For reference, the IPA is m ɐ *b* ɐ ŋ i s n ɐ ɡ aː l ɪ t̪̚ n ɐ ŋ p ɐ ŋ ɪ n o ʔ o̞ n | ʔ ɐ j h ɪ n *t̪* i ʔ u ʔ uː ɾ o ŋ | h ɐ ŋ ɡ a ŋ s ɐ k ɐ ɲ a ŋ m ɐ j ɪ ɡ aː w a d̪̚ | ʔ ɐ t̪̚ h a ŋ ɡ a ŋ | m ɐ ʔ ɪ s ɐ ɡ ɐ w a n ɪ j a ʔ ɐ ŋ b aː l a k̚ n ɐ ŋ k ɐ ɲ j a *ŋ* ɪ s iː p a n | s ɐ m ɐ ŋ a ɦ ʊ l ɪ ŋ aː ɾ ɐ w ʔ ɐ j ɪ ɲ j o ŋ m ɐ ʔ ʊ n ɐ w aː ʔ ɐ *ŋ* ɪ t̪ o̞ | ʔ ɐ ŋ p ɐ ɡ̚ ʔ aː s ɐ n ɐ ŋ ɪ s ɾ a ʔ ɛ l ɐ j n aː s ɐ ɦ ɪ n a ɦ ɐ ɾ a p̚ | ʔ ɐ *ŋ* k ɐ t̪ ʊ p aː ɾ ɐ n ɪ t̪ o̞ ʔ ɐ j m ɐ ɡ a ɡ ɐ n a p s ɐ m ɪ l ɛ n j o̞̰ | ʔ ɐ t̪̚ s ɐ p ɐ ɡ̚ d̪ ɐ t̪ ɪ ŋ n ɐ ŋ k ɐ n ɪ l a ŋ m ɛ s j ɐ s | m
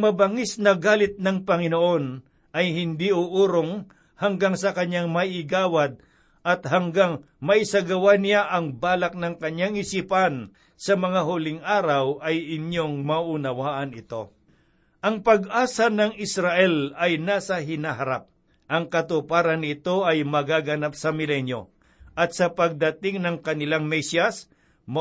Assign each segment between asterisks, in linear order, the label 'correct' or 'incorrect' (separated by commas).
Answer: correct, incorrect, correct, incorrect, correct